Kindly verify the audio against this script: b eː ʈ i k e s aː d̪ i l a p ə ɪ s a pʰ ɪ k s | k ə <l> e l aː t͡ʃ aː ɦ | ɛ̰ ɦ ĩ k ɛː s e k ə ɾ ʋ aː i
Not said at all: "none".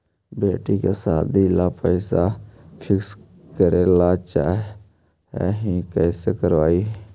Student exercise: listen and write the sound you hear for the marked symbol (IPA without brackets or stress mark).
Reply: ɾ